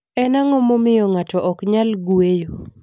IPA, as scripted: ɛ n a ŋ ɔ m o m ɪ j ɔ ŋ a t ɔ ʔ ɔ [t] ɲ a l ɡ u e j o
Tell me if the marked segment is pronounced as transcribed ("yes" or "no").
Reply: no